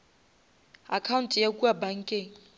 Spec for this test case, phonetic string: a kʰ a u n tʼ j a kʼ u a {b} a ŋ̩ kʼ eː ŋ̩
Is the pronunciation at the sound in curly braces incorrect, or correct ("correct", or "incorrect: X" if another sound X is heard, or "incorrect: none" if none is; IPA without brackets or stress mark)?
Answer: correct